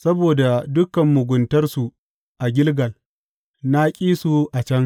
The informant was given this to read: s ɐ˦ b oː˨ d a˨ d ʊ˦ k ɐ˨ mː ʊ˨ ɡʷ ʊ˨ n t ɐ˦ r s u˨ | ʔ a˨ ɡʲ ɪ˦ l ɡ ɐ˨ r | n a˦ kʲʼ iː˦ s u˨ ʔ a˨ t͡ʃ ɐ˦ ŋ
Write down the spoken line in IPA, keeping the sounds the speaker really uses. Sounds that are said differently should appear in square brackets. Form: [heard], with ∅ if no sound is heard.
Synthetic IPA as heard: s ɐ˦ b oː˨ d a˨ d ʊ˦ k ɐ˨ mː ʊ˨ ɡʷ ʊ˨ n t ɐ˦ r s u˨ | ʔ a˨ ɡʲ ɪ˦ l ɡ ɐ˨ [l] | n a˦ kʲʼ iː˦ s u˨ ʔ a˨ t͡ʃ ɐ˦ ŋ